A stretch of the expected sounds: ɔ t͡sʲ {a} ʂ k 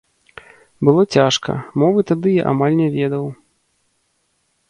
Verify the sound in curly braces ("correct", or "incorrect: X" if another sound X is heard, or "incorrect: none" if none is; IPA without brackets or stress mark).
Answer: correct